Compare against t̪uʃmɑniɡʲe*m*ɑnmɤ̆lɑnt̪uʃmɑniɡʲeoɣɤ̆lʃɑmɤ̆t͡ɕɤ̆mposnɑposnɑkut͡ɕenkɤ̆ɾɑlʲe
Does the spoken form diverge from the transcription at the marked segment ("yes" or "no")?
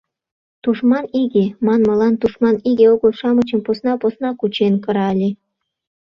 no